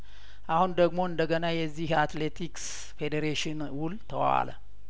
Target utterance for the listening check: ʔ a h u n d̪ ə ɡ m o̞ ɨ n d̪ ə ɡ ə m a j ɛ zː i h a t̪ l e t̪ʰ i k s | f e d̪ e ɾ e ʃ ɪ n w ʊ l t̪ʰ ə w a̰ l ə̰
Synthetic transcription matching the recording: ʔ a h u n d̪ ə ɡ m o̞ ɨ n d̪ ə ɡ ə n a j ɛ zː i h a t̪ l e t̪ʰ i k s | f e d̪ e ɾ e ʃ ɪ n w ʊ l t̪ʰ ə w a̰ l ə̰